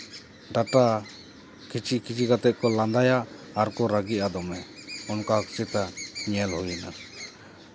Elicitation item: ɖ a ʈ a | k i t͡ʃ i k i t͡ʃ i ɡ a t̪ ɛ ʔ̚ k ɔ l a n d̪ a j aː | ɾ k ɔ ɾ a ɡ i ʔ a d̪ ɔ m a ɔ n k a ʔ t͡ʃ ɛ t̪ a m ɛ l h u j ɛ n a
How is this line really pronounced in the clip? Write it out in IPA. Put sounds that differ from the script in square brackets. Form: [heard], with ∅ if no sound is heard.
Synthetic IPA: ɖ a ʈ a | k i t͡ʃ i k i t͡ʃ i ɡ a t̪ ɛ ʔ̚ k ɔ l a n d̪ a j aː | ɾ k ɔ ɾ a ɡ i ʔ a d̪ ɔ m [ɛ] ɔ n k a [k] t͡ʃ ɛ t̪ a [ɲ] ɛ l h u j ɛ n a